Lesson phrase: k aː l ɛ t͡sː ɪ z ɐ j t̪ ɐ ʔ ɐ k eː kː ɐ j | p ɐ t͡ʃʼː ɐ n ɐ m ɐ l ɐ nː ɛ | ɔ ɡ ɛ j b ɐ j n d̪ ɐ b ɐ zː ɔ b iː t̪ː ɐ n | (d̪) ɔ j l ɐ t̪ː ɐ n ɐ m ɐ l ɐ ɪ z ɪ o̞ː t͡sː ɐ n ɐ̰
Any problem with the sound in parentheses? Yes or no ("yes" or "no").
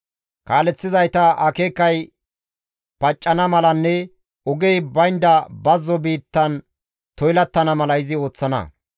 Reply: yes